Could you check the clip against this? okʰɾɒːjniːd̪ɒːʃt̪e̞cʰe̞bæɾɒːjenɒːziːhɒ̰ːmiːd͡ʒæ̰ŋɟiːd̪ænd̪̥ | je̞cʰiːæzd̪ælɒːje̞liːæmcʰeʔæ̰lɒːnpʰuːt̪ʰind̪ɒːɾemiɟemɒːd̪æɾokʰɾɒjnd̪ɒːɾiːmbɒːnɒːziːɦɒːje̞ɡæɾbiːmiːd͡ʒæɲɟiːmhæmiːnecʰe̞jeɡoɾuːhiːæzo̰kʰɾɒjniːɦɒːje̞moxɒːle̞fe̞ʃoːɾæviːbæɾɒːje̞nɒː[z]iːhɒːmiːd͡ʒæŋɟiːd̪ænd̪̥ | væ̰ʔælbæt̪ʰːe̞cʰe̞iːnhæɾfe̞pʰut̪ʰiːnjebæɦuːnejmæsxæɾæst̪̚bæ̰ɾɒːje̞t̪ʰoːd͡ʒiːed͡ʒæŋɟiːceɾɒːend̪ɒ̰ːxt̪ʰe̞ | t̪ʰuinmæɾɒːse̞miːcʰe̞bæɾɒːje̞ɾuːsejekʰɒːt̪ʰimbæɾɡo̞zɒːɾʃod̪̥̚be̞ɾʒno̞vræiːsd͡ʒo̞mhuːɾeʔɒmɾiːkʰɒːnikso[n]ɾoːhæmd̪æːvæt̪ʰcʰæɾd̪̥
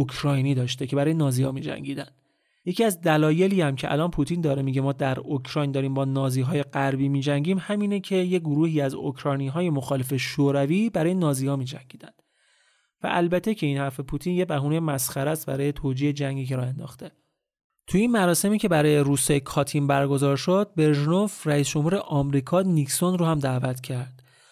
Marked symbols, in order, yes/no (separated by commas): yes, yes